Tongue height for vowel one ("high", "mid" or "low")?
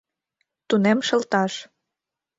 high